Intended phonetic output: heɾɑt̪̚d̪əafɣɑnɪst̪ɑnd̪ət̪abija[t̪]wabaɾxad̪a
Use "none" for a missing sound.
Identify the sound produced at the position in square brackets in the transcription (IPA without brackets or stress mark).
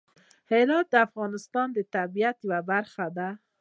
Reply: t̪